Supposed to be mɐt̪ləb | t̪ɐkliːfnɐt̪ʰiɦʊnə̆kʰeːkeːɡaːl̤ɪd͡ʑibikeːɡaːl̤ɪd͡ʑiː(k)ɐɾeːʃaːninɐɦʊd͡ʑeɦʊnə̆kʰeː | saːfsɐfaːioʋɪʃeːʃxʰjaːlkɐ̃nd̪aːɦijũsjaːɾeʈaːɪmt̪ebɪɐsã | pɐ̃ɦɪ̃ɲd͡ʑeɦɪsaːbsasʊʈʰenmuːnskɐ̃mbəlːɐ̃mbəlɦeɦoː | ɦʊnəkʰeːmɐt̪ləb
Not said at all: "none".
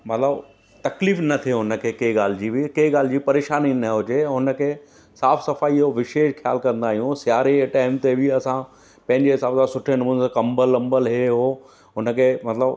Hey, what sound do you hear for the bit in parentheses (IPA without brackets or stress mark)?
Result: p